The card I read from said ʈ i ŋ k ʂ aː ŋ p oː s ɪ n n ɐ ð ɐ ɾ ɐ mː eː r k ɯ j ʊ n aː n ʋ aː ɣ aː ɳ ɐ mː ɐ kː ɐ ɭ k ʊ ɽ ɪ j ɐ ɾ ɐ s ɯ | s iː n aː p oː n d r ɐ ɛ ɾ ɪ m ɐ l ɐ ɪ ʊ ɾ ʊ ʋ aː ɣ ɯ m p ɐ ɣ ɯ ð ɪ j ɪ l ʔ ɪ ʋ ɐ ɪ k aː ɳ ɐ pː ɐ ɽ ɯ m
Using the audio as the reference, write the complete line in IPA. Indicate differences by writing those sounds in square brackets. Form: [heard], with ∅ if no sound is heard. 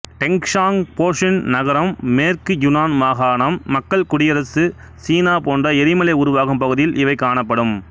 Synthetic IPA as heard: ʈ [ɛ] ŋ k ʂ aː ŋ p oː [ʂ] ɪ n n ɐ [ɣ] ɐ ɾ ɐ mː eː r k ɯ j ʊ n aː n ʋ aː ɣ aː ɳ ɐ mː ɐ kː ɐ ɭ k ʊ ɽ ɪ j ɐ ɾ ɐ s ɯ | s iː n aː p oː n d r ɐ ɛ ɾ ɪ m ɐ l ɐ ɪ ʊ ɾ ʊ ʋ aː ɣ ɯ m p ɐ ɣ ɯ ð ɪ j ɪ l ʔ ɪ ʋ ɐ ɪ k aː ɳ ɐ pː ɐ ɽ ɯ m

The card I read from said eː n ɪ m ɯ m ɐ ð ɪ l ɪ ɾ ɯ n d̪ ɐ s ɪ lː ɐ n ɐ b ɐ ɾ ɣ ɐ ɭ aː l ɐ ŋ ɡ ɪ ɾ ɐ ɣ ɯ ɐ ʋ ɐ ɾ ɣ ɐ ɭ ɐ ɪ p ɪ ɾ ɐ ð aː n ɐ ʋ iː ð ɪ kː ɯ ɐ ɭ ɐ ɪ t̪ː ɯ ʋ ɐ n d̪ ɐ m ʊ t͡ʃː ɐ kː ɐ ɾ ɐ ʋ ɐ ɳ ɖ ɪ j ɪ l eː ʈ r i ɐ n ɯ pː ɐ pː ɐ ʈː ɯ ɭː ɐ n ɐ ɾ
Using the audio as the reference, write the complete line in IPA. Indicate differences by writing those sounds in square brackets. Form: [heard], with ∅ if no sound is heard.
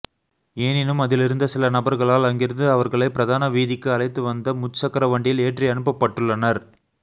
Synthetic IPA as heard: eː n ɪ [n] ɯ m ɐ ð ɪ l ɪ ɾ ɯ n d̪ ɐ s ɪ [l] ɐ n ɐ b ɐ ɾ ɣ ɐ ɭ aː l ɐ ŋ ɡ ɪ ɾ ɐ [ð] ɯ ɐ ʋ ɐ ɾ ɣ ɐ ɭ ɐ ɪ p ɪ ɾ ɐ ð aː n ɐ ʋ iː ð ɪ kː ɯ ɐ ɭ ɐ ɪ t̪ː ɯ ʋ ɐ n d̪ ɐ m ʊ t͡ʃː ɐ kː ɐ ɾ ɐ ʋ ɐ ɳ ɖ ɪ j ɪ l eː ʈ r i ɐ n ɯ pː ɐ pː ɐ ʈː ɯ ɭː ɐ n ɐ ɾ

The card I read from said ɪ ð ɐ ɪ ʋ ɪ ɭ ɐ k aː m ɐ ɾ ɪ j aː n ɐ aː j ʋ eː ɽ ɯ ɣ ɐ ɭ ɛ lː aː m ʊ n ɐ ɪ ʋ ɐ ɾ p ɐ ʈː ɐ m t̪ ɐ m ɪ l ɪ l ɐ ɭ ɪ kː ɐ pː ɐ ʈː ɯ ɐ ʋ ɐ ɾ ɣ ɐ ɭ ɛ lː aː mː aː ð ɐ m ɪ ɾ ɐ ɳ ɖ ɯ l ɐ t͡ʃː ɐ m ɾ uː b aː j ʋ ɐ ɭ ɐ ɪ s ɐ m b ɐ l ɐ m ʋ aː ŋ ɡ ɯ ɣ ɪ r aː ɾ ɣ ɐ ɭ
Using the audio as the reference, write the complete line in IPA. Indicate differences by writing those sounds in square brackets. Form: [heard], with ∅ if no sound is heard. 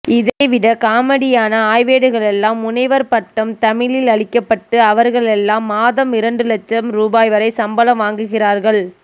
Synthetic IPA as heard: ɪ ð ɐ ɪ ʋ ɪ [ɽ] ɐ k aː m ɐ [ɽ] ɪ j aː n ɐ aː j ʋ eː ɽ ɯ ɣ ɐ ɭ ɛ lː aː m ʊ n ɐ ɪ ʋ ɐ ɾ p ɐ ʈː ɐ m t̪ ɐ m ɪ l ɪ l ɐ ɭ ɪ kː ɐ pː ɐ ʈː ɯ ɐ ʋ ɐ ɾ ɣ ɐ ɭ ɛ lː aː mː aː ð ɐ m ɪ ɾ ɐ ɳ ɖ ɯ l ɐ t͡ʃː ɐ m ɾ uː b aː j ʋ ɐ [ɾ] ɐ ɪ s ɐ m b ɐ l ɐ m ʋ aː ŋ ɡ ɯ ɣ ɪ r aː ɾ ɣ ɐ ɭ

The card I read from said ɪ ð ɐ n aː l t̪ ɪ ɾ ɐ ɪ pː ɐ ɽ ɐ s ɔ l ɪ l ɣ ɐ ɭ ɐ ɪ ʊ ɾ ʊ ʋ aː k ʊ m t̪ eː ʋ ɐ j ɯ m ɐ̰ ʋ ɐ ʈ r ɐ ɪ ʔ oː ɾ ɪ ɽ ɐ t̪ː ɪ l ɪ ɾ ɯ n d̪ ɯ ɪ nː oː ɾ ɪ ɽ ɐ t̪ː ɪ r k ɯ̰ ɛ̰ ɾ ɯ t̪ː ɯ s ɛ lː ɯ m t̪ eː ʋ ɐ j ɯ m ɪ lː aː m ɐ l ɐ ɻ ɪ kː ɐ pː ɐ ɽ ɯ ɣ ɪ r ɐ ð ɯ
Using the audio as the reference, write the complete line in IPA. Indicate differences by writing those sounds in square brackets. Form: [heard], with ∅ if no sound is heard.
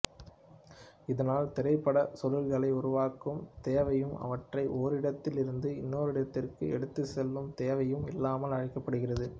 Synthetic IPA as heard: ɪ ð ɐ n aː l t̪ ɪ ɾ ɐ ɪ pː ɐ ɽ ɐ s ɔ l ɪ l ɣ ɐ ɭ ɐ ɪ ʊ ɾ ʊ ʋ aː k [ɯ] m t̪ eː ʋ ɐ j ɯ m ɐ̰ ʋ ɐ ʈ r ɐ ɪ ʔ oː ɾ ɪ ɽ ɐ t̪ː ɪ l ɪ ɾ ɯ n d̪ ɯ ɪ nː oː ɾ ɪ ɽ ɐ t̪ː ɪ r k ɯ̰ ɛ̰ [ɽ] ɯ t̪ː ɯ s ɛ lː ɯ m t̪ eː ʋ ɐ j ɯ m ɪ lː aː m ɐ l ɐ ɻ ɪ kː ɐ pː ɐ ɽ ɯ ɣ ɪ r ɐ ð ɯ

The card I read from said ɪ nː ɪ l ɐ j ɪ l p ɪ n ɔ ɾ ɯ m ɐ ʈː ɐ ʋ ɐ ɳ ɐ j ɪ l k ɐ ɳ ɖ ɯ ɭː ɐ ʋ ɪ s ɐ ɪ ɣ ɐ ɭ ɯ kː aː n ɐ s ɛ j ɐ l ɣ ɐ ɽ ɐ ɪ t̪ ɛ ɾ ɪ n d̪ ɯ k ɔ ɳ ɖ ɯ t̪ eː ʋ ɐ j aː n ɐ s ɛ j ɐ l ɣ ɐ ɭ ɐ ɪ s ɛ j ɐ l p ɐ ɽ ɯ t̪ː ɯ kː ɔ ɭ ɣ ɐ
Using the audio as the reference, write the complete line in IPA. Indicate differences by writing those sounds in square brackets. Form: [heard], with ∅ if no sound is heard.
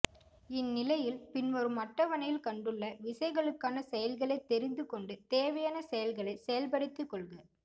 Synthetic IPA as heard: ɪ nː ɪ l ɐ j ɪ l p ɪ n ɔ ɾ ɯ m ɐ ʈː ɐ ʋ ɐ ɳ ɐ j ɪ l k ɐ ɳ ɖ ɯ ɭː ɐ ʋ ɪ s ɐ ɪ ɣ ɐ ɭ ɯ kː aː n ɐ s ɛ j ɐ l ɣ ɐ [ɭ] ɐ ɪ t̪ ɛ ɾ ɪ n d̪ ɯ k ɔ ɳ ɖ ɯ t̪ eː ʋ ɐ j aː n ɐ s ɛ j ɐ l ɣ ɐ ɭ ɐ ɪ s ɛ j ɐ l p ɐ ɽ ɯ t̪ː ɯ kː ɔ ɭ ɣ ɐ

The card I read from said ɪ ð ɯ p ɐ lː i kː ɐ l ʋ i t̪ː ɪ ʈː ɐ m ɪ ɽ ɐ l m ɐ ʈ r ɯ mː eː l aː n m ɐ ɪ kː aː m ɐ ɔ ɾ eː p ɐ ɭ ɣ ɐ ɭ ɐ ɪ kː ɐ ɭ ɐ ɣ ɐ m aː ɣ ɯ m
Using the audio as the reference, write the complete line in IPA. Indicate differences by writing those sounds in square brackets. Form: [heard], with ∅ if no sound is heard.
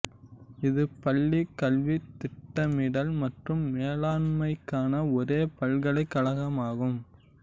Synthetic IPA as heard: ɪ ð ɯ p ɐ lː i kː ɐ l ʋ i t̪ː ɪ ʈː ɐ m ɪ ɽ ɐ l m ɐ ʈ r ɯ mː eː l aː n m ɐ ɪ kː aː [n] ɐ ɔ ɾ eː p ɐ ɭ ɣ ɐ ɭ ɐ ɪ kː ɐ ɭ ɐ ɣ ɐ m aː ɣ ɯ m

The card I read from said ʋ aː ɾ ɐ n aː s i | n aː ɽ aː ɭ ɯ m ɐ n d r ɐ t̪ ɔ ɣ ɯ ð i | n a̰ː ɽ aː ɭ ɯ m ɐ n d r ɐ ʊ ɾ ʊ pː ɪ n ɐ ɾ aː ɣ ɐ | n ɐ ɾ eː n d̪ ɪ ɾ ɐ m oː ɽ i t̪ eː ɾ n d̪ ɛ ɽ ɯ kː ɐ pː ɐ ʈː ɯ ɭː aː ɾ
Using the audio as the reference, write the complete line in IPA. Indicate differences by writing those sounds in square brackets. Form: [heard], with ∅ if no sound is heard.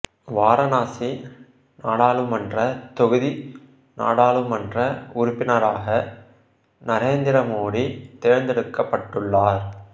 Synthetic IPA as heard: ʋ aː ɾ ɐ n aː s i | n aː ɽ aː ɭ ɯ m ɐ n d r ɐ t̪ ɔ ɣ ɯ ð i | n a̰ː ɽ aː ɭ ɯ m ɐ n d r ɐ ʊ ɾ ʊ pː ɪ n ɐ ɾ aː ɣ ɐ | n ɐ ɾ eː n d̪ ɪ ɾ ɐ m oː ɽ i t̪ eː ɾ n d̪ ɛ ɽ ɯ kː ɐ pː ɐ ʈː ɯ ɭː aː ɾ

